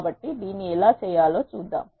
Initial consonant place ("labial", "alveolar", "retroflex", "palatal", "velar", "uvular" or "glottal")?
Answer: labial